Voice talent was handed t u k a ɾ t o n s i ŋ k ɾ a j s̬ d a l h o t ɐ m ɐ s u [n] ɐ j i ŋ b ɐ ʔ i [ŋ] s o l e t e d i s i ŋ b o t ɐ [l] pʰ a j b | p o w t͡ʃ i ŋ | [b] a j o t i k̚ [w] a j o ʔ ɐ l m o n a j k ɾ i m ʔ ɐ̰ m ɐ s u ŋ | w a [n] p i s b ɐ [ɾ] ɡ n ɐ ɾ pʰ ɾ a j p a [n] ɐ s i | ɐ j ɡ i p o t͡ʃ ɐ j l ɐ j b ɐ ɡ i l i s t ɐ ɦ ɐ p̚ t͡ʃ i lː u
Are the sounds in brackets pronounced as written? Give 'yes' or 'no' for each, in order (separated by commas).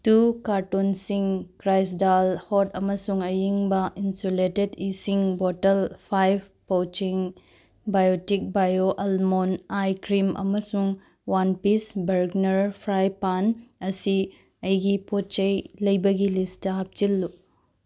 no, no, yes, yes, no, yes, yes, yes